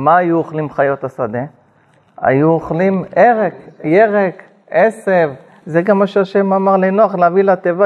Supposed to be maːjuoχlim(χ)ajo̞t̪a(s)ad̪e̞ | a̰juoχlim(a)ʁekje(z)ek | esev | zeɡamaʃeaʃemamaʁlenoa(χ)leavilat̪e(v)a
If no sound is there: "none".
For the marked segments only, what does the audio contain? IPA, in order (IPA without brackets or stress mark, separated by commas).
χ, s, e, ʁ, χ, v